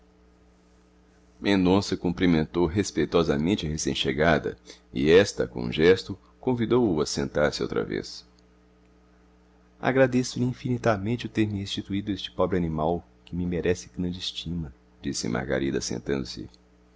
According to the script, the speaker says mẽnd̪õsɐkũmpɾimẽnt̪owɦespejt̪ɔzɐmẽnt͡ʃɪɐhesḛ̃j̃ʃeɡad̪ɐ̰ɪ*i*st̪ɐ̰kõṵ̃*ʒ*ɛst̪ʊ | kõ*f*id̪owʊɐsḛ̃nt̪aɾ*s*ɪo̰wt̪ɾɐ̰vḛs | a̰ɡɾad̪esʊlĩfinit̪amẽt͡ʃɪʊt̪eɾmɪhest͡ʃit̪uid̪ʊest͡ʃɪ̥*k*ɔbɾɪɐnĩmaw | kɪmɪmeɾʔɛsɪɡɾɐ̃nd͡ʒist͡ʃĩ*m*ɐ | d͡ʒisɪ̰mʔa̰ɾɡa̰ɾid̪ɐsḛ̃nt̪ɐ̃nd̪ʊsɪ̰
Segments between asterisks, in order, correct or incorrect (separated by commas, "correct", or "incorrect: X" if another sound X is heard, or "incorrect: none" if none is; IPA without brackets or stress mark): incorrect: ɛ, correct, incorrect: v, correct, incorrect: p, correct